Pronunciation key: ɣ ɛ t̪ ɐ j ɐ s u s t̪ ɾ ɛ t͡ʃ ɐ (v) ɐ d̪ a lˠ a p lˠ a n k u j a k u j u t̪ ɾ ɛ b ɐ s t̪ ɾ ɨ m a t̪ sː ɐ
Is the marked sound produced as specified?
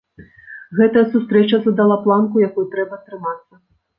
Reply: no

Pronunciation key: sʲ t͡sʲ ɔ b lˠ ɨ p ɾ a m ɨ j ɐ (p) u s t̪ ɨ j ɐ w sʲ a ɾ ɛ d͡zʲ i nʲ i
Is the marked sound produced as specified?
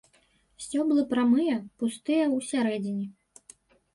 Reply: yes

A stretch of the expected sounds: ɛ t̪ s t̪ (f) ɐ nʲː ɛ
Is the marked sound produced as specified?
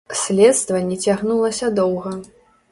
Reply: no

